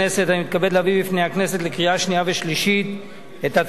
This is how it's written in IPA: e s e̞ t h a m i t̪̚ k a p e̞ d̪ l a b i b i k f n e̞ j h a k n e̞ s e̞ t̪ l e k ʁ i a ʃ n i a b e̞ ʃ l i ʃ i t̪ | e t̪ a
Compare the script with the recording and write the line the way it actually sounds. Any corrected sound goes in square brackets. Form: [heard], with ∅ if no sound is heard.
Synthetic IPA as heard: e s e̞ t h a m i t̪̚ k a [b] e̞ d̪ l a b i b i [∅] f n e̞ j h a k n e̞ s e̞ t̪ l e k ʁ i a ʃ n i a [v] e̞ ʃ l i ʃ i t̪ | e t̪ a